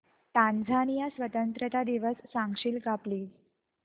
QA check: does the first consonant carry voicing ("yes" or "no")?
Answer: no